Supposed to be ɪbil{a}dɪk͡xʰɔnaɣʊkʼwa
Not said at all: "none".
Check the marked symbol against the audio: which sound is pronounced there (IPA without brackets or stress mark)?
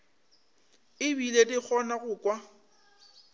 e